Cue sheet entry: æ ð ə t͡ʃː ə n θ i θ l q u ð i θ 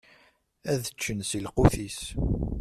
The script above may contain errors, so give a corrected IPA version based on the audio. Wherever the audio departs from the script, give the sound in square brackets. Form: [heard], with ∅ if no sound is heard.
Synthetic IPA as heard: æ ð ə t͡ʃː ə n [s] i [∅] l q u [θ] i [s]